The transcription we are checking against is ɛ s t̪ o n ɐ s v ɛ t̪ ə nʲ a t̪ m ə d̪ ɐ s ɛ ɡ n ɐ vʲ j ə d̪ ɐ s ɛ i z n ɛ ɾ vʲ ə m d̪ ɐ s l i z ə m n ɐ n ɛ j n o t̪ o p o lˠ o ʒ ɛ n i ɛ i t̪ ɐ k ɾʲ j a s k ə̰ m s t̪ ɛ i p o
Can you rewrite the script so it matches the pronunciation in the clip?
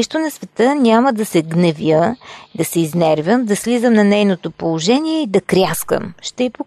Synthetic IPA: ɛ ʃ t̪ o n ɐ s v ɛ t̪ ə nʲ a m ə d̪ ɐ s ɛ ɡ n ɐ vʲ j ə d̪ ɐ s ɛ i z n ɛ ɾ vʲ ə m d̪ ɐ s l i z ə m n ɐ n ɛ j n o t̪ o p o lˠ o ʒ ɛ n i ɛ i d̪ ɐ k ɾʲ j a s k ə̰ m ʃ t̪ ɛ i p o